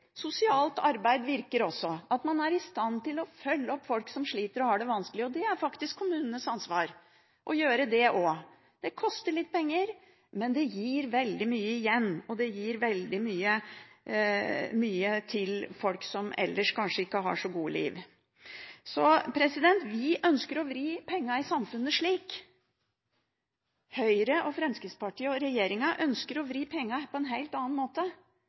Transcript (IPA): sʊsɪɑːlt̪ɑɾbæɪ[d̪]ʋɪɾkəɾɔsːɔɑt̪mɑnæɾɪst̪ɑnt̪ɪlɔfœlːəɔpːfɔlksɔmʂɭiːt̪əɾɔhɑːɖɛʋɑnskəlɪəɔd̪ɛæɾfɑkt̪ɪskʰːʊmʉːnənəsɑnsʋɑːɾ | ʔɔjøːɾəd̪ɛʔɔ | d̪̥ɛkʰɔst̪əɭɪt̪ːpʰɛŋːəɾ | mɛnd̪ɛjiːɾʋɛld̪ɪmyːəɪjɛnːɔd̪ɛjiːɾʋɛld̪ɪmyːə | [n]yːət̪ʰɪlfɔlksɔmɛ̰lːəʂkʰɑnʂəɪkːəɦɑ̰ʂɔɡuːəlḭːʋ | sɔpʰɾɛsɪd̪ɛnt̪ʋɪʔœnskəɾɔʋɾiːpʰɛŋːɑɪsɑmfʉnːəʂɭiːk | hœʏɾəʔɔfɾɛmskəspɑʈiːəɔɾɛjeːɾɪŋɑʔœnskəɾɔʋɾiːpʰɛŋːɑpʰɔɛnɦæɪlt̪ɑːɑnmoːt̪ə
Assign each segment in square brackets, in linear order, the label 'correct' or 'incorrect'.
correct, incorrect: m

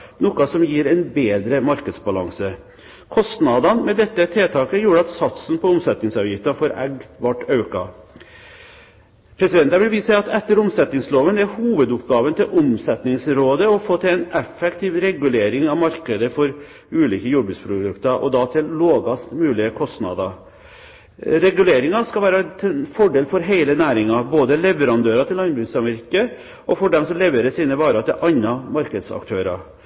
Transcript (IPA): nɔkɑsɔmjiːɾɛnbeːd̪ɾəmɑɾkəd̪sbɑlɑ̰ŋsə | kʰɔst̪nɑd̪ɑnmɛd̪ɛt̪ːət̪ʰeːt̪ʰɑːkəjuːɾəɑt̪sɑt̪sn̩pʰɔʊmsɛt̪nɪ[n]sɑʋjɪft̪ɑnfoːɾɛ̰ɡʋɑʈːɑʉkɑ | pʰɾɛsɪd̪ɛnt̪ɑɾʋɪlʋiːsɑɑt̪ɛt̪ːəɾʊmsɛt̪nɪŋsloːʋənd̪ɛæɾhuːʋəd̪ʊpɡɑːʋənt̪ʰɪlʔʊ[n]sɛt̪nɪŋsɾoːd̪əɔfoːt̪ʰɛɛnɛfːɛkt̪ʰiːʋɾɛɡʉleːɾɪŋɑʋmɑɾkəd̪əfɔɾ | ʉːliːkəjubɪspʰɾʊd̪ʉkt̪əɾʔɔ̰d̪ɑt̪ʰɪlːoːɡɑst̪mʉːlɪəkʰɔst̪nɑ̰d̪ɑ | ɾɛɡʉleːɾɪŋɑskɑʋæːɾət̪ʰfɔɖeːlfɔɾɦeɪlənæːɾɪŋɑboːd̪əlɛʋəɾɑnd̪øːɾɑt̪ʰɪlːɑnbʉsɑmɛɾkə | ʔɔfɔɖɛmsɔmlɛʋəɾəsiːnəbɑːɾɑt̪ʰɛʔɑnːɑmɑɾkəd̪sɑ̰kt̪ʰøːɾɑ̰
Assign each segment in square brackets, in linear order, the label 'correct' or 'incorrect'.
incorrect: ŋ, incorrect: m

